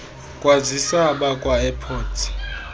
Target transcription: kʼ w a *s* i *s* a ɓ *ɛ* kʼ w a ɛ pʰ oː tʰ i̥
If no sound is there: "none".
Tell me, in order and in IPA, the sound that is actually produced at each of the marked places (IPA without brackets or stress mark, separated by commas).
z, s, a